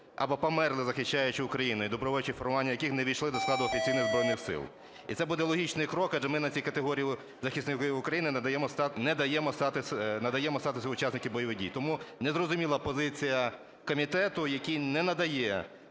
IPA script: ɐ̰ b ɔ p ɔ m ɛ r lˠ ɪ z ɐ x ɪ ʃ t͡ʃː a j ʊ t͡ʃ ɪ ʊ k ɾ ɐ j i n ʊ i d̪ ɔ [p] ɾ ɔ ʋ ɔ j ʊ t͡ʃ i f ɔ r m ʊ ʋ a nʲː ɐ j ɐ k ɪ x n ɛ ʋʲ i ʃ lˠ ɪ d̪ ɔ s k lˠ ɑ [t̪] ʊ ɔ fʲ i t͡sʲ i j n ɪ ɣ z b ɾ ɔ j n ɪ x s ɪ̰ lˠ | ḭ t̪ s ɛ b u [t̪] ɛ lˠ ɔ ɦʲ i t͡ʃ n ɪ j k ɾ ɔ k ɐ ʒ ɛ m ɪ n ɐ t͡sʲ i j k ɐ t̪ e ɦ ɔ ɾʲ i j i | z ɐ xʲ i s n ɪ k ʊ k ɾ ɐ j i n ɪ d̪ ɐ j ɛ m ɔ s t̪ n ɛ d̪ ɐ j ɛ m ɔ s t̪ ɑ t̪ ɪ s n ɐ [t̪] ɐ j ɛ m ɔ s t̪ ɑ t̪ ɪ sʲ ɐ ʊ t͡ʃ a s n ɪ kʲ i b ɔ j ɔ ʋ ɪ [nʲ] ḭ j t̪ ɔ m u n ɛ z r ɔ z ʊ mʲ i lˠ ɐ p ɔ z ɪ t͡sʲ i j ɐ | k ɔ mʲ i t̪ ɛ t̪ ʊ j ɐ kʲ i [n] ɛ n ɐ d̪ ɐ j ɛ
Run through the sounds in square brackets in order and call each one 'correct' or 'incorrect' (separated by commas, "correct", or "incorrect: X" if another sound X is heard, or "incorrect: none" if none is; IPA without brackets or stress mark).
incorrect: b, incorrect: d̪, incorrect: d̪, incorrect: d̪, incorrect: dʲ, correct